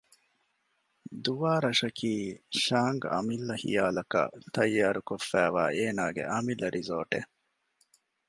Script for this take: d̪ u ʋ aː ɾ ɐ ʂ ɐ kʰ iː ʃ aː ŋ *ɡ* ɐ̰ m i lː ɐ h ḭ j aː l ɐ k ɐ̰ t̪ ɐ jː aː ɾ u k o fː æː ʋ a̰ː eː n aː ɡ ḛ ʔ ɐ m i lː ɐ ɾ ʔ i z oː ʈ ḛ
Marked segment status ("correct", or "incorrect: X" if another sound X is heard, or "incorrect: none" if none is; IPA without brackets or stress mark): correct